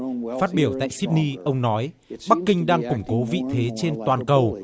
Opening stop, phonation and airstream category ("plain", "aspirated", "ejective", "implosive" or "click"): plain